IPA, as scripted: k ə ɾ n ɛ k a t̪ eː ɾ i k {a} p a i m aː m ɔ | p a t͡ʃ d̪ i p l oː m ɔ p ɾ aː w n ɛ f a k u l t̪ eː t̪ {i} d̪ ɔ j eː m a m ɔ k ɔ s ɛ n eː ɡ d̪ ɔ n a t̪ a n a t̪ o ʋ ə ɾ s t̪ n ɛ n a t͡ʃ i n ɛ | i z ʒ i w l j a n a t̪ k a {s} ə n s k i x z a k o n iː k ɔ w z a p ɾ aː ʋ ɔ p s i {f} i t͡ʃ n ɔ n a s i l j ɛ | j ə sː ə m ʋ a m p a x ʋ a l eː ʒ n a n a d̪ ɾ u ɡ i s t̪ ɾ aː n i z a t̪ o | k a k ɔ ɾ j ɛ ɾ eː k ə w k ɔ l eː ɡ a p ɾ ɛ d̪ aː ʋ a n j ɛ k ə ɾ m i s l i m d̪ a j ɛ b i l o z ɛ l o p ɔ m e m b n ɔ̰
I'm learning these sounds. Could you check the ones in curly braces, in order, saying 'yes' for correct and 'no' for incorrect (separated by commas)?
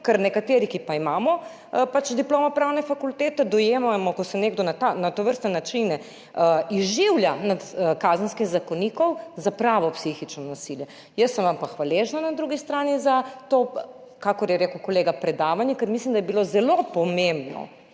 no, no, no, no